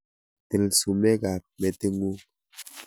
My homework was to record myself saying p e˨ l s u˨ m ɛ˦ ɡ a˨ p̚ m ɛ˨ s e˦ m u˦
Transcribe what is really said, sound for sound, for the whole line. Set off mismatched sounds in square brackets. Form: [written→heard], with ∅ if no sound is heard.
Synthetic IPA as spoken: [p→t] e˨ l s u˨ m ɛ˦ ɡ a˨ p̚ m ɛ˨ [s→t] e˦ [m→ŋ] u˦